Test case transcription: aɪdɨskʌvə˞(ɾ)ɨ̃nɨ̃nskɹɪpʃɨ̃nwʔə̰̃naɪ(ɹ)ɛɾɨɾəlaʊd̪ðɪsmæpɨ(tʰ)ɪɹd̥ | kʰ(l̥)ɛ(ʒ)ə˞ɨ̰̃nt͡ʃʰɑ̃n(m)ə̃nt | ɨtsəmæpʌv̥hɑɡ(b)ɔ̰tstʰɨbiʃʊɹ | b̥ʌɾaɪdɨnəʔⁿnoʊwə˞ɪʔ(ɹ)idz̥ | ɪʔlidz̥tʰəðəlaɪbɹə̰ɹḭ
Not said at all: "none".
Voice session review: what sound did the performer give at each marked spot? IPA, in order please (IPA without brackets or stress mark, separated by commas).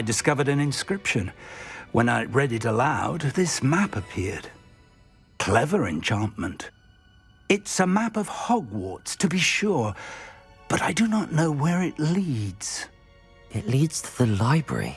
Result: ɾ, ɹ, pʰ, l̥, v, m, w, l